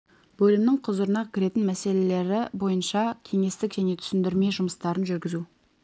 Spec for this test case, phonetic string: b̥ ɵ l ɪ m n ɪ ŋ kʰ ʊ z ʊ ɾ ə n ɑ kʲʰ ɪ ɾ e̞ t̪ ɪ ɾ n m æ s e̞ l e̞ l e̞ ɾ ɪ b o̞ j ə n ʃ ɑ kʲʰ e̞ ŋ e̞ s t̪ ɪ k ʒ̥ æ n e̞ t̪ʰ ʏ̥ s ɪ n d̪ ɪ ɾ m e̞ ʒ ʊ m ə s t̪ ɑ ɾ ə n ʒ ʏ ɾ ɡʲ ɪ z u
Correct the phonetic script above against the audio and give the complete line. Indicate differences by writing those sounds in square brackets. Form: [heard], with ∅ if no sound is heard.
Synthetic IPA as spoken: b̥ ɵ l ɪ m n ɪ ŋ [qʰ] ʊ z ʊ ɾ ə n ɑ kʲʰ ɪ ɾ e̞ t̪ ɪ [∅] n m æ s e̞ l e̞ l e̞ ɾ ɪ b o̞ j ə n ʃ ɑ kʲʰ e̞ ŋ e̞ s t̪ ɪ k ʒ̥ æ n e̞ t̪ʰ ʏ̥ s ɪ n d̪ ɪ ɾ m e̞ ʒ ʊ m ə s t̪ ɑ ɾ ə n ʒ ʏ ɾ ɡʲ ɪ z u